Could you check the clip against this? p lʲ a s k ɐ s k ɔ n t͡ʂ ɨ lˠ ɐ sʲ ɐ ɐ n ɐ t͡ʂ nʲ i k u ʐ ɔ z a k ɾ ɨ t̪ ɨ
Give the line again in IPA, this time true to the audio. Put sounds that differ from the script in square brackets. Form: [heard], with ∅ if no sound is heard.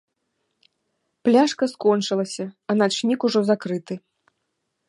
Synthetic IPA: p lʲ a [ʂ] k ɐ s k ɔ n t͡ʂ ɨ lˠ ɐ sʲ ɐ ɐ n [a] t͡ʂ nʲ i k u ʐ ɔ z a k ɾ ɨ t̪ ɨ